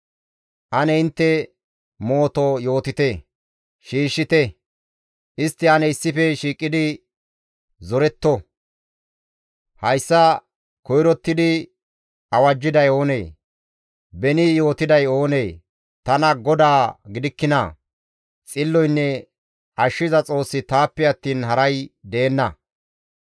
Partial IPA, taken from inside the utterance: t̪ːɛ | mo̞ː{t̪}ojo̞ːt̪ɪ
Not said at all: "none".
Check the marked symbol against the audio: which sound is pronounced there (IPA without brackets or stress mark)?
t̪